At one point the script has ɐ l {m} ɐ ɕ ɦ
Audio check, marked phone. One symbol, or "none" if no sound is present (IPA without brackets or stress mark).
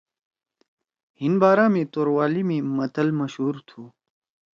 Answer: m